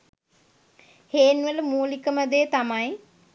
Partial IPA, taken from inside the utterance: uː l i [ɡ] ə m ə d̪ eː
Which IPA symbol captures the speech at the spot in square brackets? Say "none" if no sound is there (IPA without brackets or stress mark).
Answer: k